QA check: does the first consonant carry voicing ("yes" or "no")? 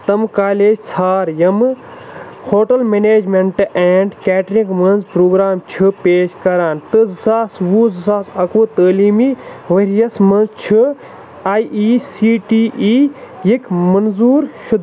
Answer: no